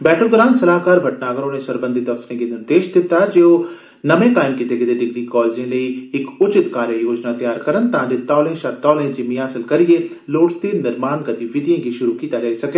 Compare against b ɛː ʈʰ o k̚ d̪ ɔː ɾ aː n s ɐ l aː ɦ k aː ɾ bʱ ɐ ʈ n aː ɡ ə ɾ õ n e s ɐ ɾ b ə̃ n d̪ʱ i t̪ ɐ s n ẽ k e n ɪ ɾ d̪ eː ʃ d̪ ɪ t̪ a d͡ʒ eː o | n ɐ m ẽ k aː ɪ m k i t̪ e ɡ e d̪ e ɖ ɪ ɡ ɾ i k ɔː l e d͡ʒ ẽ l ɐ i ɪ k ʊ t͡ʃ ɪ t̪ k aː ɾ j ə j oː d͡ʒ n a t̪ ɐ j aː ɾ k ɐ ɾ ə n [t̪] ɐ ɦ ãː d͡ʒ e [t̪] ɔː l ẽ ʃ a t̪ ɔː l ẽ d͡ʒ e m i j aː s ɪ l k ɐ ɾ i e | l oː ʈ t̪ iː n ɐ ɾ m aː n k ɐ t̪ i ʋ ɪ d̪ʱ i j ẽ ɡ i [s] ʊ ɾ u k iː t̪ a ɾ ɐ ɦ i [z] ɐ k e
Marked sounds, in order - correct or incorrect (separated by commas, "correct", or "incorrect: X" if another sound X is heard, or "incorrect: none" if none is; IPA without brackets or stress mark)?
correct, correct, incorrect: ʃ, incorrect: s